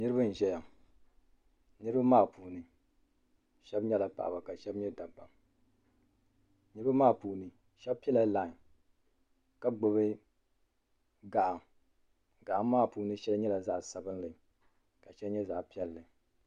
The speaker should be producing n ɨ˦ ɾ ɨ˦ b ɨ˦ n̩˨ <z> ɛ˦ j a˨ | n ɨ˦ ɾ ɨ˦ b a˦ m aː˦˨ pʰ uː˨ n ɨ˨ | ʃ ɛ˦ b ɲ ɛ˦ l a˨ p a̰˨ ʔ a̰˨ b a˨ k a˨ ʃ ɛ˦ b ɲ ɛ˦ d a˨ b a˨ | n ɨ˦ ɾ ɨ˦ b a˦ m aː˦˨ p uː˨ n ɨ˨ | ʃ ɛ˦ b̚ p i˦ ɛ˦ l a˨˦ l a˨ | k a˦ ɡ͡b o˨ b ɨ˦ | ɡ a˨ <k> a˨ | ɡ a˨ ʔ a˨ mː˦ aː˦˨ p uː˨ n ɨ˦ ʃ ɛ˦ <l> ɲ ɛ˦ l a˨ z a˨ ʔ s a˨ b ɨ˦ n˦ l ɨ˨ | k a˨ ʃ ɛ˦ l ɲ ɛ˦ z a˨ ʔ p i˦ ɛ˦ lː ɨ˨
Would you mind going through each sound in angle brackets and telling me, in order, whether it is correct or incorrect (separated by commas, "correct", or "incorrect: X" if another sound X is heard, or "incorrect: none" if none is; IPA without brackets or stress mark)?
incorrect: ʒ, incorrect: ʔ, correct